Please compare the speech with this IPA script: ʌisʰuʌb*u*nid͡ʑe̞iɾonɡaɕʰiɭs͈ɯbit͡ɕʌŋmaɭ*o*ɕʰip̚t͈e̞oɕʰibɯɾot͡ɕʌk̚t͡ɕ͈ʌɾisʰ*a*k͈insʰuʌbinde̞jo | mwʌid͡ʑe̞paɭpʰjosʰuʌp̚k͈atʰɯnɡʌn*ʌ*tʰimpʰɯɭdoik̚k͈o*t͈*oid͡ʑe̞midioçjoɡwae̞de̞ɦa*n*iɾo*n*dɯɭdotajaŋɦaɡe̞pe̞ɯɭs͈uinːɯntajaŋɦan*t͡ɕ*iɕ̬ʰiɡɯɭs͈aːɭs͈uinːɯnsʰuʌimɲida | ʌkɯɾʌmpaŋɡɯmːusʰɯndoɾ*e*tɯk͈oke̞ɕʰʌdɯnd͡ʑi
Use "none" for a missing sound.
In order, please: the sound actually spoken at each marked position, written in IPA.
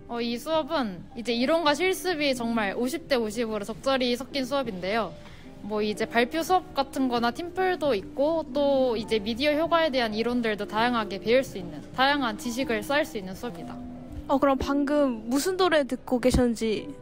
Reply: ɯ, o, ʌ, a, t͈, n, n, t͡ɕ, e

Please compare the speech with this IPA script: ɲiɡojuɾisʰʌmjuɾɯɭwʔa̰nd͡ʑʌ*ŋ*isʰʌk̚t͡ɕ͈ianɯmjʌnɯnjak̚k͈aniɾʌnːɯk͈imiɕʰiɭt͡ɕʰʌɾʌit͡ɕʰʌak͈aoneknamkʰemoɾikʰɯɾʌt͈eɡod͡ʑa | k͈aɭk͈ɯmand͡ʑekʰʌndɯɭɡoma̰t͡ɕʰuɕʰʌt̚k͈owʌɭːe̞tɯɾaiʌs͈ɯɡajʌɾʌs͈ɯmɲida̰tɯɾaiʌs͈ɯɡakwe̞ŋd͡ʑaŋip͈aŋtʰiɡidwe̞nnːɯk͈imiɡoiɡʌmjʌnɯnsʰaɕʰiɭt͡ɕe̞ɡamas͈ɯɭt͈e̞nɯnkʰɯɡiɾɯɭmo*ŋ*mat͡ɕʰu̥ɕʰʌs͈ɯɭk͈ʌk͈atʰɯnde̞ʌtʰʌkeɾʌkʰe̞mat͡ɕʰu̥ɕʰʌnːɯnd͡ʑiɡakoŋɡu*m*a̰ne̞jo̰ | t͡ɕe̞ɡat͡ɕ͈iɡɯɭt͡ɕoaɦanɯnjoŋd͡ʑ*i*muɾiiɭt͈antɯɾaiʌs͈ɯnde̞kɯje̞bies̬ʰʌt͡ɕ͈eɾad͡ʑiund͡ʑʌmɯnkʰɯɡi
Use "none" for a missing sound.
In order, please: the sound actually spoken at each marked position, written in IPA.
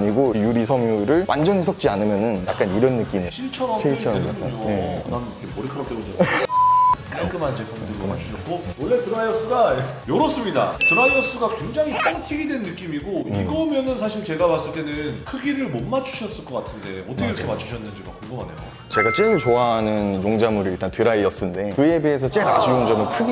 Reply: ɲ, n, m, a

